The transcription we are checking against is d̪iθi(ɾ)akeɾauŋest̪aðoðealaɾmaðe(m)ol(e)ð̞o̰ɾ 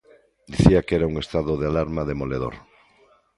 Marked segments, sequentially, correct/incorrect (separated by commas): incorrect, correct, correct